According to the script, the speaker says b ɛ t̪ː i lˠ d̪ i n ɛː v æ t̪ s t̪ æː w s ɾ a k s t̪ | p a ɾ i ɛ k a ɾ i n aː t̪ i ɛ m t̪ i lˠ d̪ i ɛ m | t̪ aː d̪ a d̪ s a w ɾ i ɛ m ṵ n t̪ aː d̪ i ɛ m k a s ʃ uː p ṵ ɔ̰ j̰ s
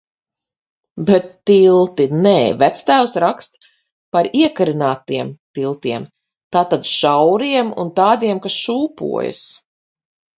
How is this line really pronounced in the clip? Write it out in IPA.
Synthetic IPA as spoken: b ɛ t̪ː i lˠ t̪ i n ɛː v æ t̪ s t̪ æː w s ɾ a k s t̪ | p a ɾ i ɛ k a ɾ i n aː t̪ i ɛ m t̪ i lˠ t̪ i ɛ m | t̪ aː t̪ a d̪ ʃ a w ɾ i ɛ m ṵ n t̪ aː d̪ i ɛ m k a s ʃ uː p ṵ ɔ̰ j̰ s